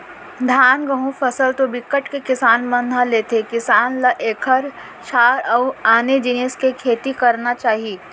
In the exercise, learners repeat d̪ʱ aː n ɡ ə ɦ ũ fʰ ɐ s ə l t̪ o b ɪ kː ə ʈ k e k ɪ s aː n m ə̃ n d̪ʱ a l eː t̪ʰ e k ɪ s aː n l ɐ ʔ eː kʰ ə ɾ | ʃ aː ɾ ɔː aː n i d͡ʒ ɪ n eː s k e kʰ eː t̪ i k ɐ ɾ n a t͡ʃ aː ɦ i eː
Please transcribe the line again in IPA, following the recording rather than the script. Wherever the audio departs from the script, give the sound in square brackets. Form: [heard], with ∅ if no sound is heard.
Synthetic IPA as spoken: d̪ʱ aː n ɡ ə ɦ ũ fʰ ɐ s ə l t̪ o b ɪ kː ə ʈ k e k ɪ s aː n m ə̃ n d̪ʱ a l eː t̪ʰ e k ɪ s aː n l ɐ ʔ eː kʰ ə ɾ | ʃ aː ɾ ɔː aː n [e] d͡ʒ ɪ n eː s k e kʰ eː t̪ i k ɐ ɾ n a t͡ʃ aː ɦ i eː